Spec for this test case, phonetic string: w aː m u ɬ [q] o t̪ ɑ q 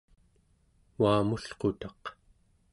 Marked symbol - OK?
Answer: yes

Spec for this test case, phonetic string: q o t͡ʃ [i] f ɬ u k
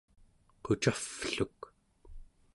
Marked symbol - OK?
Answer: no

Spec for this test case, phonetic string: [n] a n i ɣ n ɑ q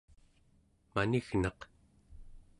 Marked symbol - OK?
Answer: no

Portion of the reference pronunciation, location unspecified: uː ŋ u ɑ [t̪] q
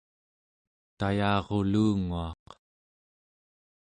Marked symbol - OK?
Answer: no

